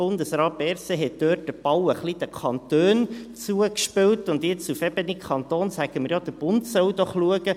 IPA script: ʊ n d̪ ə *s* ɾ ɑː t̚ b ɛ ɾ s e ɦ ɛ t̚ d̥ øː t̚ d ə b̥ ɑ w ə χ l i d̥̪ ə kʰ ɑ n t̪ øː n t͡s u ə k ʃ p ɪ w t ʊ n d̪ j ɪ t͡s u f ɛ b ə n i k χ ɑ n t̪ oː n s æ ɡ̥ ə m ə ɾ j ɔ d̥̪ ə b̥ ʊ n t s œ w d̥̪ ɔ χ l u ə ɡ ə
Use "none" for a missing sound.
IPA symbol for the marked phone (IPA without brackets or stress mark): s